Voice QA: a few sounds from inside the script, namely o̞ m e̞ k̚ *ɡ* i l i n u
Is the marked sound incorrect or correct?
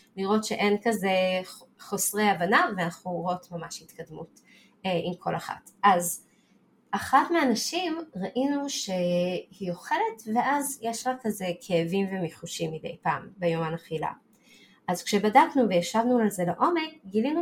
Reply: correct